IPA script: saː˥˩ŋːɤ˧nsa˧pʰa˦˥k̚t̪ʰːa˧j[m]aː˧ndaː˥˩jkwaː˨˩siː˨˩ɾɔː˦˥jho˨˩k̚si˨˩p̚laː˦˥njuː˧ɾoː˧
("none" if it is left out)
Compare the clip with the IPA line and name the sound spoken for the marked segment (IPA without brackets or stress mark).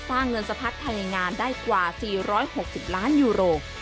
ŋ